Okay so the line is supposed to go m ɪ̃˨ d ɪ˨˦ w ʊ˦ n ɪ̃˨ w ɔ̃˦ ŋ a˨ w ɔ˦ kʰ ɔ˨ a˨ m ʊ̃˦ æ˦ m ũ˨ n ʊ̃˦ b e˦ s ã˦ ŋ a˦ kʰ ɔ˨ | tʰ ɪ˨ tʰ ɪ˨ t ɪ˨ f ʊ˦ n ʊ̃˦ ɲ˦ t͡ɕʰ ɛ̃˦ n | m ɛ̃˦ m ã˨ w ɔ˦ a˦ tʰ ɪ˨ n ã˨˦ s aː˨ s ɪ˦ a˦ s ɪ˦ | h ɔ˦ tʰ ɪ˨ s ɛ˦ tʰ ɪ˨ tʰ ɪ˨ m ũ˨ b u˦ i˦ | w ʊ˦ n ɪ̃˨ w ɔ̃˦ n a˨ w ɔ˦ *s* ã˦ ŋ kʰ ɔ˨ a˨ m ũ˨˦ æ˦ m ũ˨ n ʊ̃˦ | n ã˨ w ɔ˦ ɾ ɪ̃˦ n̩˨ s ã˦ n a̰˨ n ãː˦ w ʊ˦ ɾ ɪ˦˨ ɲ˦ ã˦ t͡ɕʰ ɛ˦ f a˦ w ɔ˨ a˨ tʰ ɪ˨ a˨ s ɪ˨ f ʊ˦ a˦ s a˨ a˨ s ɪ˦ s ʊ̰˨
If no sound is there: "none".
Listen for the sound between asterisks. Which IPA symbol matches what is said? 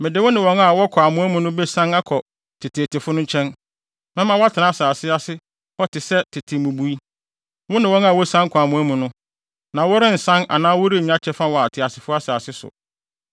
s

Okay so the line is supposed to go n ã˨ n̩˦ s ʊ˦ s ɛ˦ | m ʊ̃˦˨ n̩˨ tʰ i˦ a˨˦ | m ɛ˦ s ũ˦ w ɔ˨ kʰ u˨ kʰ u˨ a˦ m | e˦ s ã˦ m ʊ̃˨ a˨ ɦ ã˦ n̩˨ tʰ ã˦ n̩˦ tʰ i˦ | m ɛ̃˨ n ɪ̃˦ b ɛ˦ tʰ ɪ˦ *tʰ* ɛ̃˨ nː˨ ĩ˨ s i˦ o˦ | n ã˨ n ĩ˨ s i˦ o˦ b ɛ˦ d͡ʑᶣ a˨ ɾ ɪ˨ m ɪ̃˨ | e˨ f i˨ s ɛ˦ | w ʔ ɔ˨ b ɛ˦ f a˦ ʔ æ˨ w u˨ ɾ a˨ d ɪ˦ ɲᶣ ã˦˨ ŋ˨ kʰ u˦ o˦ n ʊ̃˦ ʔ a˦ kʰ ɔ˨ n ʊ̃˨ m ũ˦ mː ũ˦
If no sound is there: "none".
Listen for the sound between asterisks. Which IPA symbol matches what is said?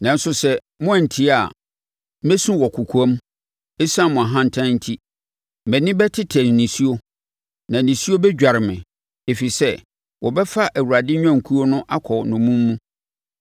tʰ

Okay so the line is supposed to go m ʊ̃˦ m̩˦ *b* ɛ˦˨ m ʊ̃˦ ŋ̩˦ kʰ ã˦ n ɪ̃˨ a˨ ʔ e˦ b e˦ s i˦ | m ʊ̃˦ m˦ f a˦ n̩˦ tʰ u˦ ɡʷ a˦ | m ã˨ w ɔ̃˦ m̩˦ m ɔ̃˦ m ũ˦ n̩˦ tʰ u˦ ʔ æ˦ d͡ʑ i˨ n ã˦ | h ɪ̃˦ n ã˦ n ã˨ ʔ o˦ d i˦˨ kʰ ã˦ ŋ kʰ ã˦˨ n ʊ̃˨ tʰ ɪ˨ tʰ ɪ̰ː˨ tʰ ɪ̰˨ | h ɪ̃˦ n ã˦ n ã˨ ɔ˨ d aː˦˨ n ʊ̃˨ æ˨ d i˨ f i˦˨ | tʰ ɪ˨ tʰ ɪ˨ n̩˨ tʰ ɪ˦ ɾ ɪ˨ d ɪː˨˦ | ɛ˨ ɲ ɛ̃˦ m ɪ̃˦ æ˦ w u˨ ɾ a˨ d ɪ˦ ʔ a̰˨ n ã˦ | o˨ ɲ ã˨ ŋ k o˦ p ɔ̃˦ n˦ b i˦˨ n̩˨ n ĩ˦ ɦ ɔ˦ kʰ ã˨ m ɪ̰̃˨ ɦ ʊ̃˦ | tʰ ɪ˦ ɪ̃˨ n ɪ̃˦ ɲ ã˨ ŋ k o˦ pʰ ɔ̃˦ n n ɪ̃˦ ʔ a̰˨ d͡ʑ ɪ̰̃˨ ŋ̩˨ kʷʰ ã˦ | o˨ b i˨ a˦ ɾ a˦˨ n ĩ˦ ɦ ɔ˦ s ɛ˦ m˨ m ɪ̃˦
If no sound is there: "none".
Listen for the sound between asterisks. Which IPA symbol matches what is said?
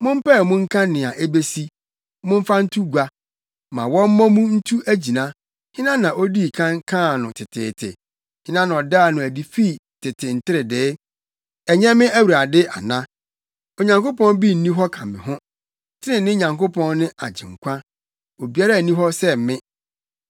p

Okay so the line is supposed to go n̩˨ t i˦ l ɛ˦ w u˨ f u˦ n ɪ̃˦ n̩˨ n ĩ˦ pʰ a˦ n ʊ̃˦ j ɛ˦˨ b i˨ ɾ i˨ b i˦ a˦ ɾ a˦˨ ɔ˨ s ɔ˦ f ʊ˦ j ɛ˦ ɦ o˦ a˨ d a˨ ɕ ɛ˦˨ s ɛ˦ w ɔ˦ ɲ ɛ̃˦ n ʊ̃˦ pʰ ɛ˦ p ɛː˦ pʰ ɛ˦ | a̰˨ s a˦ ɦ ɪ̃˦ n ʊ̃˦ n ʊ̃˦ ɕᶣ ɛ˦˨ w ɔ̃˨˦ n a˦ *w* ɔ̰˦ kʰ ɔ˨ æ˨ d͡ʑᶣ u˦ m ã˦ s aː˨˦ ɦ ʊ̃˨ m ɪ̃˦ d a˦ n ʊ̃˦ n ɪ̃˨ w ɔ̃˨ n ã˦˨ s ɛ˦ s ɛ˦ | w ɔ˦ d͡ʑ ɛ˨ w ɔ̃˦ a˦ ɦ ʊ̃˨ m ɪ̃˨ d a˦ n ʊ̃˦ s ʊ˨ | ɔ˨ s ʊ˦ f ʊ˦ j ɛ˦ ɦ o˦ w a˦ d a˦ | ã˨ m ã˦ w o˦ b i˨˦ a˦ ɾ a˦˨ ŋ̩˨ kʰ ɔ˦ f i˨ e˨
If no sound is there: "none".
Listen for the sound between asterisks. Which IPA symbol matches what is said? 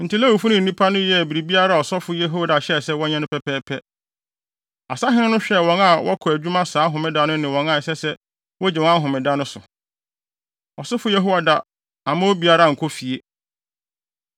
w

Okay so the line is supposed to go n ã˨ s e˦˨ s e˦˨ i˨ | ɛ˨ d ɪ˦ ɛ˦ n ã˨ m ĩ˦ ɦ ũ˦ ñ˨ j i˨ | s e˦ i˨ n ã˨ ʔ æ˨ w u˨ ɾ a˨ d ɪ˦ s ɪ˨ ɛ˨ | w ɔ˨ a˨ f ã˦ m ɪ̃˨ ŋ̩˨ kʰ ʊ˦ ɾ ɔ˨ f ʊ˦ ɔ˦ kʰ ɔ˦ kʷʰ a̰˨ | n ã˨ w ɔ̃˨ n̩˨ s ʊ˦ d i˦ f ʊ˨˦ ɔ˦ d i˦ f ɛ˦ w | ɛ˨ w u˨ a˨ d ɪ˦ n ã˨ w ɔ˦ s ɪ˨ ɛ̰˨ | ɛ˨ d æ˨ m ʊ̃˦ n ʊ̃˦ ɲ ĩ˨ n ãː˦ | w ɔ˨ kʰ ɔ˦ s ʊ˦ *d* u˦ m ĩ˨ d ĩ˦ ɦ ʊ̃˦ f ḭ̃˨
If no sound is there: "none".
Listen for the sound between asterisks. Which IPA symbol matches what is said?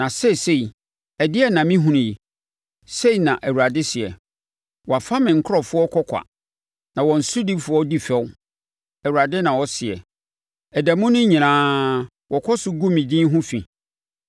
ɡ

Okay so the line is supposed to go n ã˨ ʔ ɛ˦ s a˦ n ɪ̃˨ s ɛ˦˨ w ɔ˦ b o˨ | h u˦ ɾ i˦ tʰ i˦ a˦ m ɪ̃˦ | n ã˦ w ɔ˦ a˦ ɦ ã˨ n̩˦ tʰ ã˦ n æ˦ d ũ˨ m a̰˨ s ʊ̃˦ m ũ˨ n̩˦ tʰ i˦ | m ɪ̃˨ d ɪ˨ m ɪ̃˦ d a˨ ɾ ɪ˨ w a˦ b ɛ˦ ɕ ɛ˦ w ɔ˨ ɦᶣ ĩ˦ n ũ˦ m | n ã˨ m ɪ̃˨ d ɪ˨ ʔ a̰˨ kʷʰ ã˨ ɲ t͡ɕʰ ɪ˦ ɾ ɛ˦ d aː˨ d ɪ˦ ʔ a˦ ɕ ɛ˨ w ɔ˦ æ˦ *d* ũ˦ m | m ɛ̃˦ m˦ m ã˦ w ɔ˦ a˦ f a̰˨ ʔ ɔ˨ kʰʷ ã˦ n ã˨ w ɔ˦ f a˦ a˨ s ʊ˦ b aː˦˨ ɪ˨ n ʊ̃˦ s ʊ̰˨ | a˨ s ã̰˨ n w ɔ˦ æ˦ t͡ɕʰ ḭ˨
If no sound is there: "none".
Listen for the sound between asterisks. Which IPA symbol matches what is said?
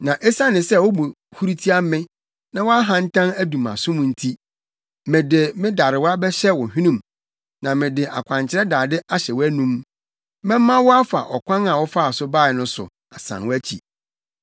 n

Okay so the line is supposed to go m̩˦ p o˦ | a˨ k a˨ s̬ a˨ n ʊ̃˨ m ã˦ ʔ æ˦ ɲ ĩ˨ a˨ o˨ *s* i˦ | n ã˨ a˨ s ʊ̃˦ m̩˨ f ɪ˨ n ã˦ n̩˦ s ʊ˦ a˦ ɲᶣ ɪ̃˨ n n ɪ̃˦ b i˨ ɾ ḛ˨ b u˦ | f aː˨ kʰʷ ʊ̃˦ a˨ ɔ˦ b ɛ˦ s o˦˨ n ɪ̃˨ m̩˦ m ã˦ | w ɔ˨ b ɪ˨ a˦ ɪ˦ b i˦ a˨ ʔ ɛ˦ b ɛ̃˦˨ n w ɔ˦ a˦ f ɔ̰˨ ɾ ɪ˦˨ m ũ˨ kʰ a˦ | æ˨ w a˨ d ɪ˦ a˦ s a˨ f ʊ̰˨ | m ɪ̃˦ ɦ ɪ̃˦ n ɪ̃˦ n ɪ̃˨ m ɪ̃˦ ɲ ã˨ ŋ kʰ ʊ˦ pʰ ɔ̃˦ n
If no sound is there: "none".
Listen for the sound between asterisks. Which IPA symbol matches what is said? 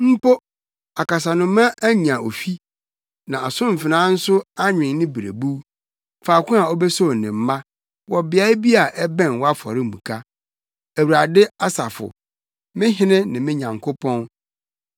f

